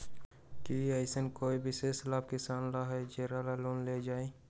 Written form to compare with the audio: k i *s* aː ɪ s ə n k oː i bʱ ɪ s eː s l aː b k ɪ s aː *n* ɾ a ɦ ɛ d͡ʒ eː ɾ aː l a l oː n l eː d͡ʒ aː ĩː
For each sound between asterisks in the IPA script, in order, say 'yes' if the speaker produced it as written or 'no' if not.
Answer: no, yes

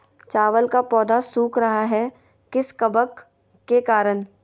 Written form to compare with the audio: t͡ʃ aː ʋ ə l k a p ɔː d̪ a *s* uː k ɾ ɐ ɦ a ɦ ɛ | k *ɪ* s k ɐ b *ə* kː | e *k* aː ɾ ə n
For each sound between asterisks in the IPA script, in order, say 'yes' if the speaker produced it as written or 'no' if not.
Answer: yes, yes, yes, yes

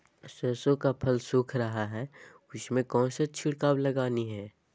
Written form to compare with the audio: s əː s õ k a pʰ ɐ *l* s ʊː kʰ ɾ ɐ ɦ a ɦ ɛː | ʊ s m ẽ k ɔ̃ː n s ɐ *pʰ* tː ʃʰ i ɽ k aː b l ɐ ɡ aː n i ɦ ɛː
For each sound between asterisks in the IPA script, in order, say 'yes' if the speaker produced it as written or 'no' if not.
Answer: yes, no

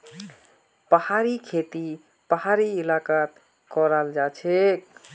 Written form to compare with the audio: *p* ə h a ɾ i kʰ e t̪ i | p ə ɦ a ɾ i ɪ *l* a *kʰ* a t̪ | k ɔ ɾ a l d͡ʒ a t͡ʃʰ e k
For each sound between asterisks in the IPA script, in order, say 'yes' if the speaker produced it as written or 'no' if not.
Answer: yes, yes, no

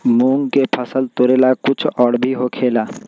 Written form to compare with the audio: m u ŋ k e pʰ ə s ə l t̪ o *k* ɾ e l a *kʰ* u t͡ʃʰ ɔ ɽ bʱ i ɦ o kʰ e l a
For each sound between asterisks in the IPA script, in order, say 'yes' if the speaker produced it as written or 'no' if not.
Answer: no, no

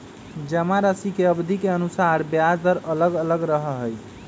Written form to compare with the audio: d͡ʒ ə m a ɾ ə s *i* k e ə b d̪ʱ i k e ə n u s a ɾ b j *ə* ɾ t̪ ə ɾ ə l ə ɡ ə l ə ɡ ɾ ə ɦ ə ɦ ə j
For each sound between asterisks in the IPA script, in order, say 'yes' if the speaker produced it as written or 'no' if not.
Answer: yes, no

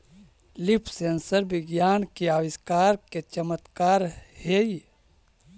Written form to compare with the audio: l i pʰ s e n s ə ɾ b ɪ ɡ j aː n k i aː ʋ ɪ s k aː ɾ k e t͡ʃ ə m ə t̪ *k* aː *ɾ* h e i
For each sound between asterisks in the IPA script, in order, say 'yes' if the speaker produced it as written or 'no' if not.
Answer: yes, yes

